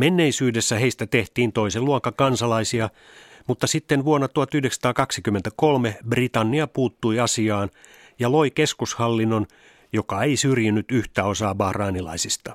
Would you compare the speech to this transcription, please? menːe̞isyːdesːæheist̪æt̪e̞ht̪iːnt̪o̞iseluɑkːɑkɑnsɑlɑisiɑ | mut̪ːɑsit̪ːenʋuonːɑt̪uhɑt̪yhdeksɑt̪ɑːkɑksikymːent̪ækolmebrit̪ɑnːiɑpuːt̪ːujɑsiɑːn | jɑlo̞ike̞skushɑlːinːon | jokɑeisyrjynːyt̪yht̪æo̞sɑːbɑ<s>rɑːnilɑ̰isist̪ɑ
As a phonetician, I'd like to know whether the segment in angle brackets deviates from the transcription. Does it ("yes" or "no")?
yes